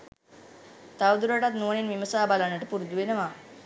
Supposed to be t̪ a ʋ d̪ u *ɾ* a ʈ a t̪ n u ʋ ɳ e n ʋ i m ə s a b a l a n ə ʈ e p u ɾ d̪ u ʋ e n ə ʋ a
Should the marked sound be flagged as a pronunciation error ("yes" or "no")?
no